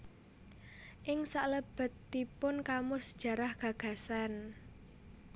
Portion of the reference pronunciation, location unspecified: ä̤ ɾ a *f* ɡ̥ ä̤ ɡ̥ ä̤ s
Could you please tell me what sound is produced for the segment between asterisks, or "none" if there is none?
h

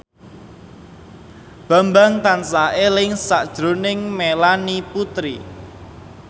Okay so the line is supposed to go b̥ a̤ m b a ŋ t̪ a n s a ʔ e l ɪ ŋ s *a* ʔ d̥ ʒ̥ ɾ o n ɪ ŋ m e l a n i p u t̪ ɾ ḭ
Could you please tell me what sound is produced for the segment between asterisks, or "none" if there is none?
a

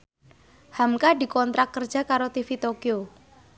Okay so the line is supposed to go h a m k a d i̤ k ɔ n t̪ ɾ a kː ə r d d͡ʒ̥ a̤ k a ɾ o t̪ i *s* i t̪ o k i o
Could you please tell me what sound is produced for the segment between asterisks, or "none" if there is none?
f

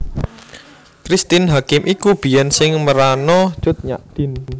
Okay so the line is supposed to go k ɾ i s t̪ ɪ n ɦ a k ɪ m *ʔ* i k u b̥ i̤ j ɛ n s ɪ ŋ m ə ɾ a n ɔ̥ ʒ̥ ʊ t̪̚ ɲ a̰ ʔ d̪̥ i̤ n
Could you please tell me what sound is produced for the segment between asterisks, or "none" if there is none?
ʔ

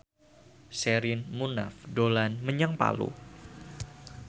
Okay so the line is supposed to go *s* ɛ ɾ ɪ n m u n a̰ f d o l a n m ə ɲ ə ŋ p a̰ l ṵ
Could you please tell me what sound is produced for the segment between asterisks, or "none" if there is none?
s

